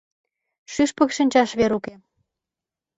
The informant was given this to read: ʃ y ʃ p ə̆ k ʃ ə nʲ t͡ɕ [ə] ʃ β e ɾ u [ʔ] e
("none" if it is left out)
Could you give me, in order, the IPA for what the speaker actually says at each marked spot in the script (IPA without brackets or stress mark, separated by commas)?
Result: ɑ, k